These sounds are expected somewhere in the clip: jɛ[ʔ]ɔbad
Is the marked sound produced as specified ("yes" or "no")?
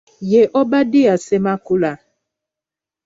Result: yes